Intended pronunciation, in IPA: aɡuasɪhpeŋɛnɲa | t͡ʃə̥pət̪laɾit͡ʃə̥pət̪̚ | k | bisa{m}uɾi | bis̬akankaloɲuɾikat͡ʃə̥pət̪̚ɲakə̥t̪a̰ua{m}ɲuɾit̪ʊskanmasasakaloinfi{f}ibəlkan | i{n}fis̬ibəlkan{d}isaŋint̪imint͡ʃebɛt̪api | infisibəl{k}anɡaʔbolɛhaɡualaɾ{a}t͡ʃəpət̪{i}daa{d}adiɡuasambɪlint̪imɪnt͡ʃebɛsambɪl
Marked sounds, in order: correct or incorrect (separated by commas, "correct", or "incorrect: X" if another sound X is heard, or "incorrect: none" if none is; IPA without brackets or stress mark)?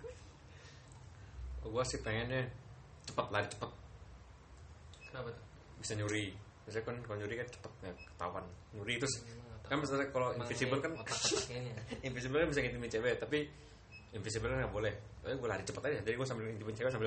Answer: incorrect: ɲ, incorrect: n, incorrect: s, correct, incorrect: b, correct, incorrect: i, incorrect: a, incorrect: d͡ʒ